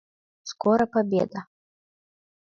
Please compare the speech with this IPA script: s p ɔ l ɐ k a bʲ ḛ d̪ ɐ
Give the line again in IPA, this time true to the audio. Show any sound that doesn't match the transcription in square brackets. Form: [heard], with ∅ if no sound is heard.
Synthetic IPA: s [k] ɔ [ɾ] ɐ [p] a bʲ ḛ d̪ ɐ